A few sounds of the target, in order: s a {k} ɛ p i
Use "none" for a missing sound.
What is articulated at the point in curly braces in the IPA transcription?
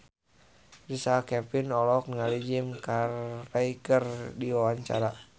k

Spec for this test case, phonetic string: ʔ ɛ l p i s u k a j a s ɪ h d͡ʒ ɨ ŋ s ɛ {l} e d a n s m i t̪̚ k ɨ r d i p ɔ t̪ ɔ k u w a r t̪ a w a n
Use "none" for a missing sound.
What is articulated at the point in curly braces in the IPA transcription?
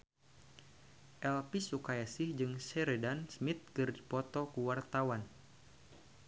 ɾ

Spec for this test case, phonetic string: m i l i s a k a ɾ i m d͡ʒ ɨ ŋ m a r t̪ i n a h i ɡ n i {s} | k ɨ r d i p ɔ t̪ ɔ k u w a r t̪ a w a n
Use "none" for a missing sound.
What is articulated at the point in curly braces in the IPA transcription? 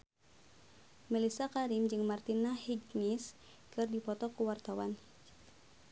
s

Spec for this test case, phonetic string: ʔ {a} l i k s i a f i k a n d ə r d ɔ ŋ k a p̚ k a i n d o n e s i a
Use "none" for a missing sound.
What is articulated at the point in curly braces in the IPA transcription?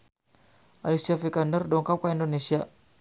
a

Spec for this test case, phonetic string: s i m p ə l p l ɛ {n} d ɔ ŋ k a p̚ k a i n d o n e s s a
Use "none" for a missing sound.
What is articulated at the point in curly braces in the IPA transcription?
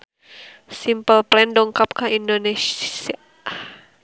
n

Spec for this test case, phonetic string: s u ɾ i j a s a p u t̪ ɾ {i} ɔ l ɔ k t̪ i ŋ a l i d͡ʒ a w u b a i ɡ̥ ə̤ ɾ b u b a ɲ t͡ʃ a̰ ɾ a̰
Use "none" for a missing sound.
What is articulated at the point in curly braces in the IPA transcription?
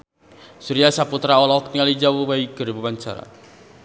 a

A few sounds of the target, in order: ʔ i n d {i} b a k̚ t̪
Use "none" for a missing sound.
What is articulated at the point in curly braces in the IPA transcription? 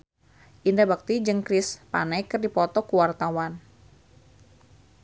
a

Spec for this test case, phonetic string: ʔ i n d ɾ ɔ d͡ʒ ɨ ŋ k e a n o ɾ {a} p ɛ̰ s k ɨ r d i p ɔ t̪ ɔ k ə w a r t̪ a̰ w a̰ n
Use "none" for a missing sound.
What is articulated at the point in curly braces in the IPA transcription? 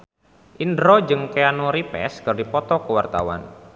i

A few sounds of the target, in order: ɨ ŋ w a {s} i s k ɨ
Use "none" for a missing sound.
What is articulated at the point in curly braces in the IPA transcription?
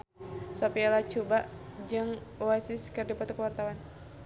s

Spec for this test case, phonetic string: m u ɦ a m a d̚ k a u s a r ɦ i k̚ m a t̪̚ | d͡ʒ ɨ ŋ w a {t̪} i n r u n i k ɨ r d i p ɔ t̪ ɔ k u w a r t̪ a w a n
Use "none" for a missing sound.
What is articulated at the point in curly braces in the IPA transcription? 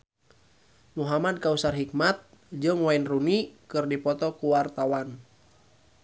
none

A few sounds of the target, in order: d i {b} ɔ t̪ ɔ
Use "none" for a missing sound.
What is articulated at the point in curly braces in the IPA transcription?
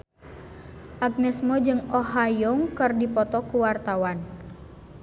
p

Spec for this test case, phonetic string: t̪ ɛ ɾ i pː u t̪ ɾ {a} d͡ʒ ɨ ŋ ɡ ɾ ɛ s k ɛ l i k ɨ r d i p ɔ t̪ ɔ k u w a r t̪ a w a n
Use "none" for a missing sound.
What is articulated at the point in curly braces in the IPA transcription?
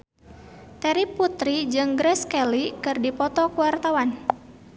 i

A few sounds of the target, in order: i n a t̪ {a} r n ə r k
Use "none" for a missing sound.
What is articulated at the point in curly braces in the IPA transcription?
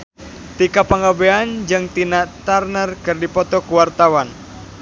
a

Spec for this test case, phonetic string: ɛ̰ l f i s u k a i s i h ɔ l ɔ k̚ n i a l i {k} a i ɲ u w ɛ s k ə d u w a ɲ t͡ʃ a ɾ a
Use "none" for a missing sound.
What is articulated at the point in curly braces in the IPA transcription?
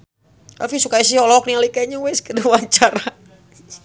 k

